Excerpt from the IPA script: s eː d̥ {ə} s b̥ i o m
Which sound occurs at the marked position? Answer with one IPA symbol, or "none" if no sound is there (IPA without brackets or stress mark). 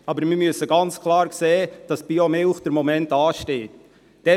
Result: ɑ